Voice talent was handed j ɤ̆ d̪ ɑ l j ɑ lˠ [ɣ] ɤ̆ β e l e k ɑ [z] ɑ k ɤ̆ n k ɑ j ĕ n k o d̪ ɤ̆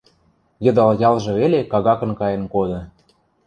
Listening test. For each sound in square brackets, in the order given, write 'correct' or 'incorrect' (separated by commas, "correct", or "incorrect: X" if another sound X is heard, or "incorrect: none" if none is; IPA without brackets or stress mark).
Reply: incorrect: ʒ, incorrect: ɣ